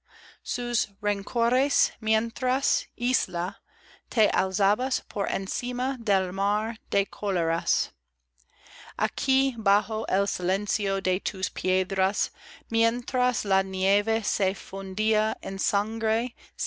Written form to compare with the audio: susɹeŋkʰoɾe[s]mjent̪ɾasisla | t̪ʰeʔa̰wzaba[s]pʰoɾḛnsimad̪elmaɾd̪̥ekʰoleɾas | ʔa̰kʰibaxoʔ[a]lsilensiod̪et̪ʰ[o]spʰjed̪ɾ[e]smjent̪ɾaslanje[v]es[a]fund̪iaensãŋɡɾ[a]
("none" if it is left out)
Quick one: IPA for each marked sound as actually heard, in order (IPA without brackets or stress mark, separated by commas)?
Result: s, s, e, u, a, v, e, e